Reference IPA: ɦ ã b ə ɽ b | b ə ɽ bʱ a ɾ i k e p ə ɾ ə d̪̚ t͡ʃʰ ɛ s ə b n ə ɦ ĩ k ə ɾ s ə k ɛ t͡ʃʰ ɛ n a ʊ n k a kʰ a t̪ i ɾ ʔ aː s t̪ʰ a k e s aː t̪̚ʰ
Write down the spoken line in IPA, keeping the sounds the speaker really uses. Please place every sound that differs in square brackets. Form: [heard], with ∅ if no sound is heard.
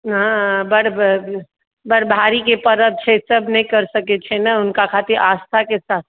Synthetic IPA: ɦ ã b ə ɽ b | b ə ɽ bʱ a ɾ i k e p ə ɾ ə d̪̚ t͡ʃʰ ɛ s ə b n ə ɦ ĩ k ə ɾ s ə k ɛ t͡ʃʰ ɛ n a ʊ n k a kʰ a t̪ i ɾ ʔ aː s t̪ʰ a k e s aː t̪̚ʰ